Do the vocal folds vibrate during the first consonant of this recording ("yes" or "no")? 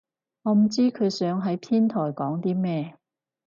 yes